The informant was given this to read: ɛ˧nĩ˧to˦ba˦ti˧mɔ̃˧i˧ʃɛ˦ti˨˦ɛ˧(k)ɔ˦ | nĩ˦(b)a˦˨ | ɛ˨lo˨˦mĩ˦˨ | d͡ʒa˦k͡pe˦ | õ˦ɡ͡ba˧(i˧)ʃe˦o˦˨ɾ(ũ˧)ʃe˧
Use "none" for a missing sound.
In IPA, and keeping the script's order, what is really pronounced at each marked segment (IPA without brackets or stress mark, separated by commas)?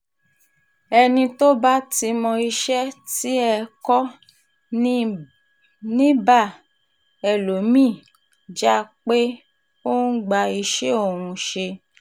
k, b, i˧, ũ˧